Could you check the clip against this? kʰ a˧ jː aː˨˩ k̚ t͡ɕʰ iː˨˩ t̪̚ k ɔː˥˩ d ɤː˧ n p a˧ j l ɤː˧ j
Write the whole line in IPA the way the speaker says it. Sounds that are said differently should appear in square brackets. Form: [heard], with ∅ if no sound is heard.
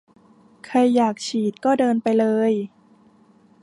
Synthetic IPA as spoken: kʰ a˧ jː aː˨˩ k̚ t͡ɕʰ iː˨˩ t̪̚ k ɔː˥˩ d ɤː˧ n p a˧ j l ɤː˧ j